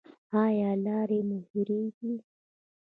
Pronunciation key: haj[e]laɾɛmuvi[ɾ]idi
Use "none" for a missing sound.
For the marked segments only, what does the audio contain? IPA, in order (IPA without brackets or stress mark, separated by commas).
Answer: a, ɾ